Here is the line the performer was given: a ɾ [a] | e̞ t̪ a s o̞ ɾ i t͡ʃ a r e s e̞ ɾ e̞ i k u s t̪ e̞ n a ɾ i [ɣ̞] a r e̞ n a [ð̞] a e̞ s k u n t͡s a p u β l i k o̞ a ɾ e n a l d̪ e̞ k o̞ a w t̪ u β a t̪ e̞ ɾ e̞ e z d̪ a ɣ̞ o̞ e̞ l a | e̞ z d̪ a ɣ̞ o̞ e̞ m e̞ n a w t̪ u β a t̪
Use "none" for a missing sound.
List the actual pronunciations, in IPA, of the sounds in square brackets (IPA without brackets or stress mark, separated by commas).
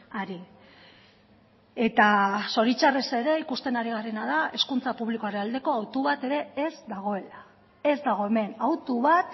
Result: i, ɣ̞, ð̞